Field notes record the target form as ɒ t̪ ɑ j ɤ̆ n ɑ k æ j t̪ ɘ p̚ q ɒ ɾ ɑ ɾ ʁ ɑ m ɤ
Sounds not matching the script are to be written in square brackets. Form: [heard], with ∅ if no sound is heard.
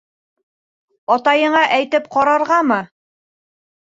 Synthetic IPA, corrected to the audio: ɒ t̪ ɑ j ɤ̆ [ɴ] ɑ [ʔ] æ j t̪ ɘ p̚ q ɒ ɾ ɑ ɾ ʁ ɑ m ɤ